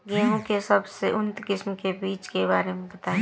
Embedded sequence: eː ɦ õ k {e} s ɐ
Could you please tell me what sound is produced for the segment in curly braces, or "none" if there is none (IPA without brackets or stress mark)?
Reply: e